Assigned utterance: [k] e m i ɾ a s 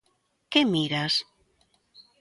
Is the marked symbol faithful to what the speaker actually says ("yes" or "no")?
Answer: yes